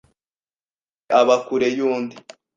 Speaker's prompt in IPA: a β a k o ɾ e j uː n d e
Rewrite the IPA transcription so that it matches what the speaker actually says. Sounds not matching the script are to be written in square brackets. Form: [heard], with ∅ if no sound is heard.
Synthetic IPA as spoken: a β a k [u] ɾ e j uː n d [i]